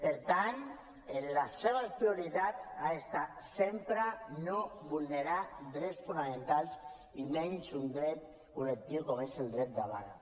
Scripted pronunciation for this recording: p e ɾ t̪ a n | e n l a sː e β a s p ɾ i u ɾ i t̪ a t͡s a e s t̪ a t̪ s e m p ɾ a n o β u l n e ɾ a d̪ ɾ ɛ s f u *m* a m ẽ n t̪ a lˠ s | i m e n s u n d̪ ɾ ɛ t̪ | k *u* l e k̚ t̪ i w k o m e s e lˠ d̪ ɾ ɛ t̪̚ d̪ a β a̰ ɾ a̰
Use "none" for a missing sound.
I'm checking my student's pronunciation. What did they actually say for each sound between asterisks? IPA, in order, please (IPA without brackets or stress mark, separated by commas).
n, u